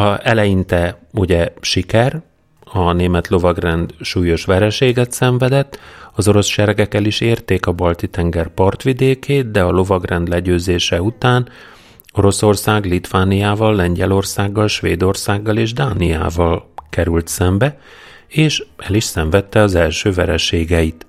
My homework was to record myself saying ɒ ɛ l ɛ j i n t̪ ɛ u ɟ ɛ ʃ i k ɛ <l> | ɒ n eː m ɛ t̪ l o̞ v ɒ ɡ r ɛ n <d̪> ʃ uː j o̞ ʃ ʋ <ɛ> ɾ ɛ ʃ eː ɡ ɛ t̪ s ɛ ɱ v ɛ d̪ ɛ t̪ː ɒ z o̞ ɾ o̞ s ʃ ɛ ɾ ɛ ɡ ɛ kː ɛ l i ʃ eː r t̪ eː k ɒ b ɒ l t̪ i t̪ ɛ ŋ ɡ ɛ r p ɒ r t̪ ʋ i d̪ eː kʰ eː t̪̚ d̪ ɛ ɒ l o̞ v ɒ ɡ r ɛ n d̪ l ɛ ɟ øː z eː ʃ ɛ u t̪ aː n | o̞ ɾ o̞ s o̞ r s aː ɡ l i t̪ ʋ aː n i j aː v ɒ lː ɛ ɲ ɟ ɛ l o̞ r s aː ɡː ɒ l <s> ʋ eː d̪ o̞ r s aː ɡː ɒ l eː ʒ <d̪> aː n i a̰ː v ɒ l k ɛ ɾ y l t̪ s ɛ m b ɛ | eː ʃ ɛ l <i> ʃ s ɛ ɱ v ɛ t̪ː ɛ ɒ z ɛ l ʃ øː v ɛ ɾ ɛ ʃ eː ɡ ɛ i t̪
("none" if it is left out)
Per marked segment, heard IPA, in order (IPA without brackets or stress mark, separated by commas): r, d̪, ɛ, ʃ, d̪, i